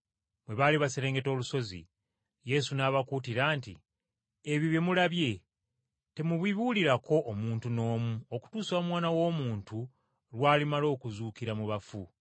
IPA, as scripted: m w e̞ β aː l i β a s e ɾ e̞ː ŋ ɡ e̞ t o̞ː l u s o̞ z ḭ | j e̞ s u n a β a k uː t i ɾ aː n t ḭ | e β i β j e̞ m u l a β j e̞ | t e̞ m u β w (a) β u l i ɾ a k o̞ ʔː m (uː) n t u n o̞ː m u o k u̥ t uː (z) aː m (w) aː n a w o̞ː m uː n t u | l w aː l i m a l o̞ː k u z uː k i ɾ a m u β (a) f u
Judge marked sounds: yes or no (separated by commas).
no, yes, no, yes, yes